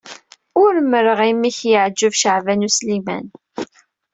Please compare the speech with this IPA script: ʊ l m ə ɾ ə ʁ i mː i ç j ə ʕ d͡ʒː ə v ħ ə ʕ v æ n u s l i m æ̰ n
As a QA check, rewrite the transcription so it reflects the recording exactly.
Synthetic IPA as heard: ʊ ɾ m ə ɾ ə ʁ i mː i ç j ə ʕ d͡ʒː ə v ʃ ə ʕ v æ n u s l i m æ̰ n